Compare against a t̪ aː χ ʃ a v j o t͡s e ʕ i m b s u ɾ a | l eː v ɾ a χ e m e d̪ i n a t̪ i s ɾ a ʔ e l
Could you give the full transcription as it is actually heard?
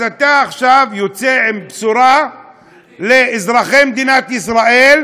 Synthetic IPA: a t̪ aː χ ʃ a v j o t͡s e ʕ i m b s u ɾ a | l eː z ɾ a χ e m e d̪ i n a t̪ i s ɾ a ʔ e l